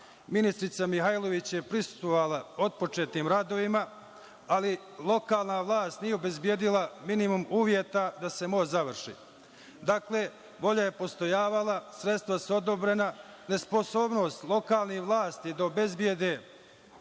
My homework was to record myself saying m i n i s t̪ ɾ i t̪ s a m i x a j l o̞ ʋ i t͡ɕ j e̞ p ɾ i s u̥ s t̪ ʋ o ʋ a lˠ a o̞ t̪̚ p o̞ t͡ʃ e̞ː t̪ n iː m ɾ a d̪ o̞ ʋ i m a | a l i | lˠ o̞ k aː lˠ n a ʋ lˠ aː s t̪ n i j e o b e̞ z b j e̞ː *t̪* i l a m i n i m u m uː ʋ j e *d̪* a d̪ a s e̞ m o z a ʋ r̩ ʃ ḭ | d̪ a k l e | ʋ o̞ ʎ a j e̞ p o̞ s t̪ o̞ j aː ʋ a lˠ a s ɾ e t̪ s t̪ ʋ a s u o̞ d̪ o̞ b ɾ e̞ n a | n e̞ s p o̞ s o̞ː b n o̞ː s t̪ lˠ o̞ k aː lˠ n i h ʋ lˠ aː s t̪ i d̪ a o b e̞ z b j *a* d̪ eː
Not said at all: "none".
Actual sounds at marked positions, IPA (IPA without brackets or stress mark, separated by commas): d̪, t̪, e